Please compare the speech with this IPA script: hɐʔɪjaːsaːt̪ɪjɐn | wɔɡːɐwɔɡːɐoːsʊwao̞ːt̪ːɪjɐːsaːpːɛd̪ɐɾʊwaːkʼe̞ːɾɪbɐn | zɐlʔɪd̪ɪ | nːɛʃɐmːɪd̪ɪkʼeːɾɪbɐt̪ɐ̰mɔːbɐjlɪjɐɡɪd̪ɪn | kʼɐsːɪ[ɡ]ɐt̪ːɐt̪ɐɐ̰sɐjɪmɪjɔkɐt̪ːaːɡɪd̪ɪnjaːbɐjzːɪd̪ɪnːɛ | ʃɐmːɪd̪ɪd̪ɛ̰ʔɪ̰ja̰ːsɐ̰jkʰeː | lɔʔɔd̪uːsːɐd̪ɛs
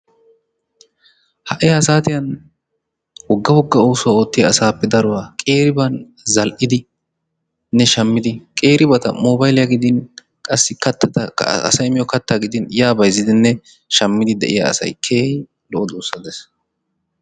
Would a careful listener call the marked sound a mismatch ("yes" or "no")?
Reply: yes